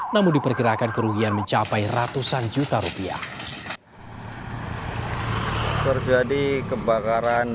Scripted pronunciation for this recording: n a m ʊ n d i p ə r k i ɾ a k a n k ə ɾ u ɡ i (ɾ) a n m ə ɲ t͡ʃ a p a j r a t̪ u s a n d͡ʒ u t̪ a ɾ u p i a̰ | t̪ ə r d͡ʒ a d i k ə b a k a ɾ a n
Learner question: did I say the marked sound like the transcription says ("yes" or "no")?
no